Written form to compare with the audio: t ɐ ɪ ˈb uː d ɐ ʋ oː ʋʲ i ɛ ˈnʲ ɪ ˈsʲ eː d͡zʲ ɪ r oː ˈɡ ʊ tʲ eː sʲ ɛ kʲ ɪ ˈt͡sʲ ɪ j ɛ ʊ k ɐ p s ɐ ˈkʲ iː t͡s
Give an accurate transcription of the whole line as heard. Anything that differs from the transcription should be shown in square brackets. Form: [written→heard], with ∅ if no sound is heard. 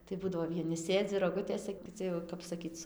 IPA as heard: t ɐ ɪ ˈb uː d ɐ ʋ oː ʋʲ i ɛ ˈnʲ ɪ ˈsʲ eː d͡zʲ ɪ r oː ˈɡ ʊ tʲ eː sʲ ɛ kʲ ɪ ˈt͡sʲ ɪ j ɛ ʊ k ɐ p s ɐ ˈkʲ iː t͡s